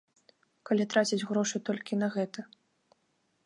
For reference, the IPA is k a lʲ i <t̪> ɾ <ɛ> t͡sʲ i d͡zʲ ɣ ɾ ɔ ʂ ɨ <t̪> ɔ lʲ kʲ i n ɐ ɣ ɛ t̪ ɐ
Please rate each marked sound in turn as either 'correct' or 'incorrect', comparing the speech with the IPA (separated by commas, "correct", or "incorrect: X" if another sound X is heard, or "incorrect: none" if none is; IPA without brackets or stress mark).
correct, incorrect: a, correct